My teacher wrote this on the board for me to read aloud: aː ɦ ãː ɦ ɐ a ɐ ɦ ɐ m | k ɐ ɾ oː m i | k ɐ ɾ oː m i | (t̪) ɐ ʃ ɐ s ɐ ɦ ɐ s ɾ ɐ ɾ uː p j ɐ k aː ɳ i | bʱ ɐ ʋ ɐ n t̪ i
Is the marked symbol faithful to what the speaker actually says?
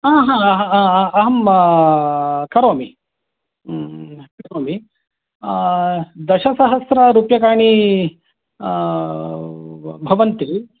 no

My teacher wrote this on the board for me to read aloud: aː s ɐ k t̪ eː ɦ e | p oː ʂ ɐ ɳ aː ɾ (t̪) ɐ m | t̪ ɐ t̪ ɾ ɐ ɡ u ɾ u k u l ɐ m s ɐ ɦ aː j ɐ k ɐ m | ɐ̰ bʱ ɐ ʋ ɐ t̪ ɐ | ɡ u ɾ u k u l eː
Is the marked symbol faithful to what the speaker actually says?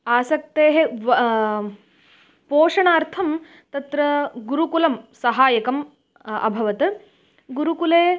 no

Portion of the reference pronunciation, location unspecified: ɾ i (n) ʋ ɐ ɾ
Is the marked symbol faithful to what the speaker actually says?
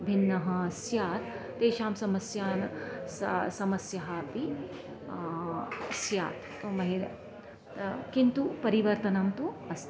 no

